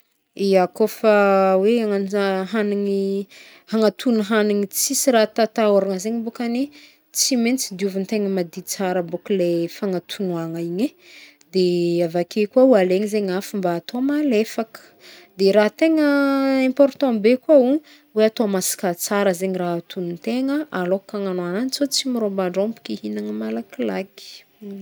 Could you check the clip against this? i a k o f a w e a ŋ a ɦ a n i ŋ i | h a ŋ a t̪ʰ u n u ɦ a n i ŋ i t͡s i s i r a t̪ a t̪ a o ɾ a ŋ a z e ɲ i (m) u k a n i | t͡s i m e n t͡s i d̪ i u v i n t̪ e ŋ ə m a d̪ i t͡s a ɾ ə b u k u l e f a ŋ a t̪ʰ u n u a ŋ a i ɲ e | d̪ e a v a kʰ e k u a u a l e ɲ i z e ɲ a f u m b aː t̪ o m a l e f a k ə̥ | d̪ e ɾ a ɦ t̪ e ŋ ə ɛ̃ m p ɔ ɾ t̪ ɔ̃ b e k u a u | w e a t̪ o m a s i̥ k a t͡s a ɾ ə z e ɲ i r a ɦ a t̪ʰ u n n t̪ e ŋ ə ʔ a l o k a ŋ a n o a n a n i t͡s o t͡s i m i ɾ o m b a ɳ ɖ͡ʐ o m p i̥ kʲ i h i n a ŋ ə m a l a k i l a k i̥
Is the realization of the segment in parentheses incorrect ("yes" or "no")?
yes